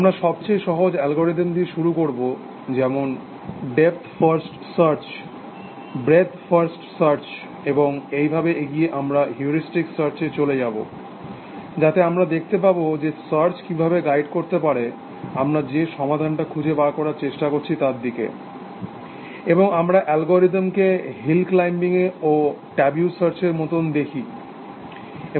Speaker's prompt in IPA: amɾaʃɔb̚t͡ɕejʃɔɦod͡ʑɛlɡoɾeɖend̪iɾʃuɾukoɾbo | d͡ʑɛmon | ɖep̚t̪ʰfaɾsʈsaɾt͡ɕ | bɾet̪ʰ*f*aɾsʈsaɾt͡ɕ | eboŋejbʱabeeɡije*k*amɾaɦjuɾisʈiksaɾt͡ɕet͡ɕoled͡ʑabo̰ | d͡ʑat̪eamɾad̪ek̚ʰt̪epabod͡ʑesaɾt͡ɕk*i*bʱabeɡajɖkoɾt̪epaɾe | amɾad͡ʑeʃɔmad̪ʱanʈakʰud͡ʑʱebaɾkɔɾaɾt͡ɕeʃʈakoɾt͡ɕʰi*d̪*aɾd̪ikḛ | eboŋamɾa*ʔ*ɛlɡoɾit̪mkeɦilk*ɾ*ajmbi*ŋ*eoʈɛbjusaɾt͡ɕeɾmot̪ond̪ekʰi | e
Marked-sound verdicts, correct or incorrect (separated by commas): correct, incorrect, correct, incorrect, correct, incorrect, correct